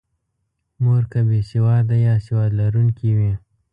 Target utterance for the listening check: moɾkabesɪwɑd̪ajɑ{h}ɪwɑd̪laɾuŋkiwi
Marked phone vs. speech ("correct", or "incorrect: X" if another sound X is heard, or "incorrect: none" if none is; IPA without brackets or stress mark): incorrect: s